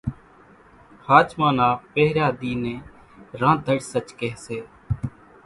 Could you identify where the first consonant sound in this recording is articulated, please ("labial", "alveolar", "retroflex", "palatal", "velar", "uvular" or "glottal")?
glottal